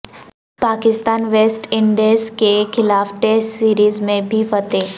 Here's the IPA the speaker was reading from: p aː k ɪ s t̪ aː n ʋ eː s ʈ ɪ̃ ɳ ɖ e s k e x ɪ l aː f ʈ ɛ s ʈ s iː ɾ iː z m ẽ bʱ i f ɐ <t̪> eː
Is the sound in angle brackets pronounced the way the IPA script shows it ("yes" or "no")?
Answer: yes